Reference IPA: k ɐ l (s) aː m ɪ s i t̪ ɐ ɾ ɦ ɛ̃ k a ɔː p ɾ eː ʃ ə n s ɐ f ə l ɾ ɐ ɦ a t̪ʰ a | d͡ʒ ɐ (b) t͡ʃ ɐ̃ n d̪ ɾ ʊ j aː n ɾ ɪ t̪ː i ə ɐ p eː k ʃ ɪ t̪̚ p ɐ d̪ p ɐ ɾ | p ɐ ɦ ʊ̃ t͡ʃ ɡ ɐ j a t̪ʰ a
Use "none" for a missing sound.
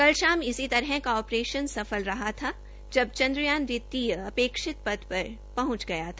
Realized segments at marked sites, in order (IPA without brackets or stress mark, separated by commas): ʃ, b